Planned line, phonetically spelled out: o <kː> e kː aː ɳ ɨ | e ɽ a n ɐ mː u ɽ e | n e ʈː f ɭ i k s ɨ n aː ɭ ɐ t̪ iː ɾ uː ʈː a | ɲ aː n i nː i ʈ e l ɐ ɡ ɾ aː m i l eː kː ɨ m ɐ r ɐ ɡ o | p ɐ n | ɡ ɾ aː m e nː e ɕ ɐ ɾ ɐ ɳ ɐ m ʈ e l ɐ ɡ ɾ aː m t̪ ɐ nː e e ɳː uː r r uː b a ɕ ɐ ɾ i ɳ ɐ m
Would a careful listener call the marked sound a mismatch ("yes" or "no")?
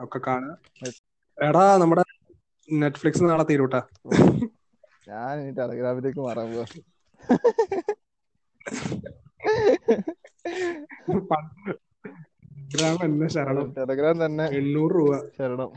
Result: no